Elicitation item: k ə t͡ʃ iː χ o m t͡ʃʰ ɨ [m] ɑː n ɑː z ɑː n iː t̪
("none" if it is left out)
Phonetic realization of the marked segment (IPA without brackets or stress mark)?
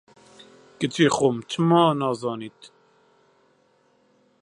m